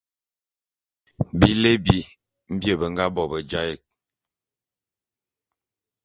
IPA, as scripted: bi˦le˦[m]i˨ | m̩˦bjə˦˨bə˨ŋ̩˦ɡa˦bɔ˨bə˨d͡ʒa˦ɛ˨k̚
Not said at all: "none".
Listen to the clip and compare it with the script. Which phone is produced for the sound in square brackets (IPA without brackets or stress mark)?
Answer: b